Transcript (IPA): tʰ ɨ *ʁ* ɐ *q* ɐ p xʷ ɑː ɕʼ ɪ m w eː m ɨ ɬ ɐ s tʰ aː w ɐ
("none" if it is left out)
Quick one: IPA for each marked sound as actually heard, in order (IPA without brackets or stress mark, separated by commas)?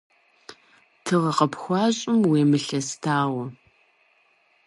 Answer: ʁ, q